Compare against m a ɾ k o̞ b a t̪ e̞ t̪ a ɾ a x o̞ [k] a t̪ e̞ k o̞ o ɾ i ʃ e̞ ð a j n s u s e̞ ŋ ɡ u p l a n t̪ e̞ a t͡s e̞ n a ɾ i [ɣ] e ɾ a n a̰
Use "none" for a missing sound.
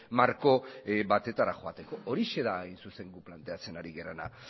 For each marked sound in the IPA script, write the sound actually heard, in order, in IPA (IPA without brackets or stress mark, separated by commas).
none, ɣ